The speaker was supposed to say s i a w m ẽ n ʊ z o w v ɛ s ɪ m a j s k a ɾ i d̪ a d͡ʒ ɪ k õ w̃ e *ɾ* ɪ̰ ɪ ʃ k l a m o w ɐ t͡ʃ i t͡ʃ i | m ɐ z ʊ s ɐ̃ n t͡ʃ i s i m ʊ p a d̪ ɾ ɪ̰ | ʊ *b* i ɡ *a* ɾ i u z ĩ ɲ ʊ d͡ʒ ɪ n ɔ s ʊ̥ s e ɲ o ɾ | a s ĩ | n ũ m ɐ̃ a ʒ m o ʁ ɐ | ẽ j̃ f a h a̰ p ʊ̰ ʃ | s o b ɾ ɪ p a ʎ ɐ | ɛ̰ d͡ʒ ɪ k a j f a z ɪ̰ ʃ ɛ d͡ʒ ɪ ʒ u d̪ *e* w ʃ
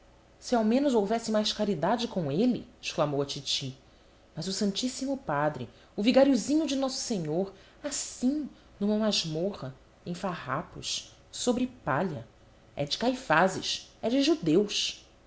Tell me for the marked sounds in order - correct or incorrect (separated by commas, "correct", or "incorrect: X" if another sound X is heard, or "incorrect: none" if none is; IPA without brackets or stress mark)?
incorrect: l, incorrect: v, correct, correct